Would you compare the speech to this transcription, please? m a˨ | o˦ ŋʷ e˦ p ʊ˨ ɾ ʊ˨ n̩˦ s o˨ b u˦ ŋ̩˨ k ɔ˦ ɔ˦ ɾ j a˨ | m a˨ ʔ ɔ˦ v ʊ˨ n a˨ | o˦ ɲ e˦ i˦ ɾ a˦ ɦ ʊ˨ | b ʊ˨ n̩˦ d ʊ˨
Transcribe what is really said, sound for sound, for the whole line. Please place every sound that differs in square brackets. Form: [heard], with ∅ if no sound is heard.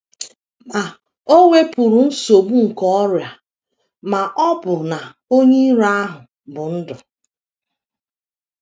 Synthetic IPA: m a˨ | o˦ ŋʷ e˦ p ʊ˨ ɾ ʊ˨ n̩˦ s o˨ b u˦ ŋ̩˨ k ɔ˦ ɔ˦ ɾ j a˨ | m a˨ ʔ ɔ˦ [b] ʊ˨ n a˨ | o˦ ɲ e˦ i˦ ɾ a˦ ɦ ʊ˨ | b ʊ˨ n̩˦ d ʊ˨